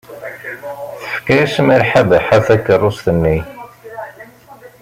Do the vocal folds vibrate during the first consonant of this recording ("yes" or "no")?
no